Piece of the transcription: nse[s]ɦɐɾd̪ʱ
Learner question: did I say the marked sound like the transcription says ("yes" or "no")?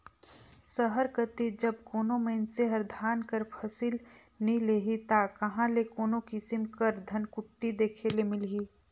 no